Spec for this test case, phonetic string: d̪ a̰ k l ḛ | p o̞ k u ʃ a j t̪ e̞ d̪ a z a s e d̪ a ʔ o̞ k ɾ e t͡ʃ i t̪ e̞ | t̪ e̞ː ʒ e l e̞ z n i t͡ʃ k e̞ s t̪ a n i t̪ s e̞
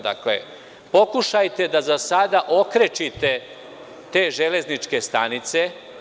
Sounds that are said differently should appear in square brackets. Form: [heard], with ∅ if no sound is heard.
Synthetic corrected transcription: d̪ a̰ k l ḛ | p o̞ k u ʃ a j t̪ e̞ d̪ a z a s [a] d̪ a ʔ o̞ k ɾ e t͡ʃ i t̪ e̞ | t̪ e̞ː ʒ e l e̞ z n i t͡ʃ k e̞ s t̪ a n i t̪ s e̞